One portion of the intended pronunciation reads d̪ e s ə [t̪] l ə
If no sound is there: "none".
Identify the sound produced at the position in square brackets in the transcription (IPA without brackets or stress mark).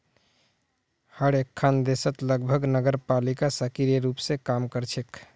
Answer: t̪